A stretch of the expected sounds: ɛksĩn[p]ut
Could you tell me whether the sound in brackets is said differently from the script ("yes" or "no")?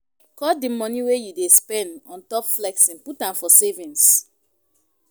no